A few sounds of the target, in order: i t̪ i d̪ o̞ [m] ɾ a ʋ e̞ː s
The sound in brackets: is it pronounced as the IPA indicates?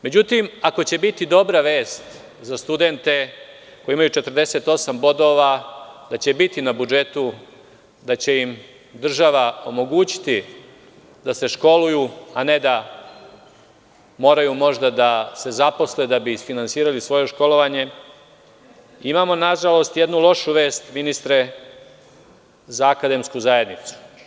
no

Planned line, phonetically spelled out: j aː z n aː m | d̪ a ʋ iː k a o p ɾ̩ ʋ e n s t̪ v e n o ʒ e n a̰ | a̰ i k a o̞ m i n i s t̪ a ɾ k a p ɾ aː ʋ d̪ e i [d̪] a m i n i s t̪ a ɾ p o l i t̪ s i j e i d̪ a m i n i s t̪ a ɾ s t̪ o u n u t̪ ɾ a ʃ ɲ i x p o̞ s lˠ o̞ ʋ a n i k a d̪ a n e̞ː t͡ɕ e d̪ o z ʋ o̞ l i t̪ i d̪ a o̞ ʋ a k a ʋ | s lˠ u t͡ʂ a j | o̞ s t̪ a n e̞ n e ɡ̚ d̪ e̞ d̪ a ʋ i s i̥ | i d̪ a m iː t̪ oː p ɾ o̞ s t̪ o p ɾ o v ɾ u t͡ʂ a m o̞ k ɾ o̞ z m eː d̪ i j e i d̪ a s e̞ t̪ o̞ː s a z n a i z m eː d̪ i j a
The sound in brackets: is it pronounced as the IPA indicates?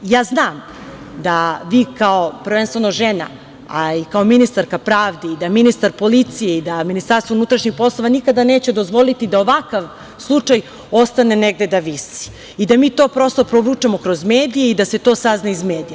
yes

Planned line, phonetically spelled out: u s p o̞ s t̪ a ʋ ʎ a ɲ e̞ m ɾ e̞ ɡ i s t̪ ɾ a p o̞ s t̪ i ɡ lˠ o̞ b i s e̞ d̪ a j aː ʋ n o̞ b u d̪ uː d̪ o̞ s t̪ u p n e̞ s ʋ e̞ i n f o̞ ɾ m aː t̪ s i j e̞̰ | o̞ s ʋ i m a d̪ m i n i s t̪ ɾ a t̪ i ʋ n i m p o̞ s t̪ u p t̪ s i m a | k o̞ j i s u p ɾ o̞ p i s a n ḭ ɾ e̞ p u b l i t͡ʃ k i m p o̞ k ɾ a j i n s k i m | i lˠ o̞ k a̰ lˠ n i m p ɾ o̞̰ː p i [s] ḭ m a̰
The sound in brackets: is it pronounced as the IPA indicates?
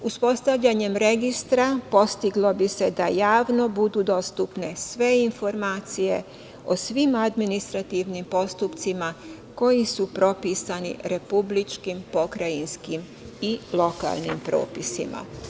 yes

